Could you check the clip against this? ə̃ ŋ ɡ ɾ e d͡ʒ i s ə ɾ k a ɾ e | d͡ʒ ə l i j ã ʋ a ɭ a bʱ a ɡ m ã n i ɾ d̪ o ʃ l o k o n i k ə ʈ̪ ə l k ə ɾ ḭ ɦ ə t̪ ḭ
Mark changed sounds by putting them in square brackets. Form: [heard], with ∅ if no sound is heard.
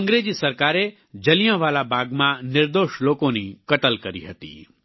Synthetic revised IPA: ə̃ ŋ ɡ ɾ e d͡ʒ i s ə ɾ k a ɾ e | d͡ʒ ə l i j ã ʋ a [l] a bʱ a ɡ m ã n [ɪ] ɾ d̪ o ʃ l o k o n i k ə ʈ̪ ə l k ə ɾ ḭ ɦ ə t̪ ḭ